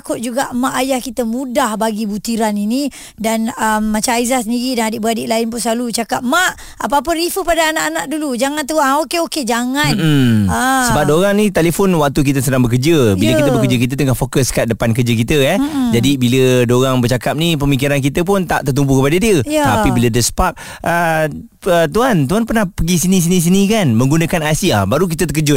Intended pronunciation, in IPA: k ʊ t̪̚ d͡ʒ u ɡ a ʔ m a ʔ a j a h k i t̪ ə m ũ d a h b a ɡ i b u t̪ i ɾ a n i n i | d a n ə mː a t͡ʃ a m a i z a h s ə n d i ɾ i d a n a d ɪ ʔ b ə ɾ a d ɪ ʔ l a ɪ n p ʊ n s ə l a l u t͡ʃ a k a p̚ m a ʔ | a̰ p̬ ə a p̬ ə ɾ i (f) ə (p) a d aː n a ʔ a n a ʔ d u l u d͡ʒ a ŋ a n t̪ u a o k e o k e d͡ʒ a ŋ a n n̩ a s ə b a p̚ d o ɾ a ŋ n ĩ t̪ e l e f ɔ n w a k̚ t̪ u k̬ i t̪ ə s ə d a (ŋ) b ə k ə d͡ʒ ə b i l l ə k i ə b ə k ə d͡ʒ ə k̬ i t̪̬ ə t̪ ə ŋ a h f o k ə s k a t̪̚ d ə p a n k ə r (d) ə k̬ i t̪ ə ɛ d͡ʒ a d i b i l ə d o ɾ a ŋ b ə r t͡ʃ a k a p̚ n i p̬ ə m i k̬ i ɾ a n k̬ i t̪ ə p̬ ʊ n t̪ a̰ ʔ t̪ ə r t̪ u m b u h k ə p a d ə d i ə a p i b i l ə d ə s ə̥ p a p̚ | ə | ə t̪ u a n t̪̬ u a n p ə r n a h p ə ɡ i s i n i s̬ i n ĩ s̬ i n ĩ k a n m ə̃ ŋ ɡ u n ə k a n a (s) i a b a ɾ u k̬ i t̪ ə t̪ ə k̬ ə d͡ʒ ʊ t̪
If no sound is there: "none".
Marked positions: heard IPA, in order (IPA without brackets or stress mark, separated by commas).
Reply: f, p, ŋ, d͡ʒ, s